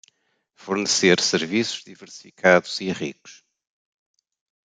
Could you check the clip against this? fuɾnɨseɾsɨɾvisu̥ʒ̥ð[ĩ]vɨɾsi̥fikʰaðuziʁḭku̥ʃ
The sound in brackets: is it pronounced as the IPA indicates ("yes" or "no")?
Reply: no